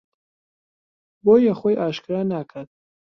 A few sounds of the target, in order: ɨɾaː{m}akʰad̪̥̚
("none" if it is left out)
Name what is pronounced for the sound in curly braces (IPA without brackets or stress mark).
n